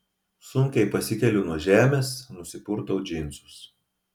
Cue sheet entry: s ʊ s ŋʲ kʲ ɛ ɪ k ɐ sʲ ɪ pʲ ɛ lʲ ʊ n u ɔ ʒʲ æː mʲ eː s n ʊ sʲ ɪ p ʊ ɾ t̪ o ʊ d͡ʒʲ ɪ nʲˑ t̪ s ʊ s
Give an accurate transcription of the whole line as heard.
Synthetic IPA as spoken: s ʊ ŋʲ kʲ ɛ ɪ p ɐ sʲ ɪ kʲ ɛ lʲ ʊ n u ɔ ʒʲ æː mʲ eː s n ʊ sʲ ɪ p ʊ ɾ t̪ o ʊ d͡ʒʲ ɪ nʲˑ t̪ s ʊ s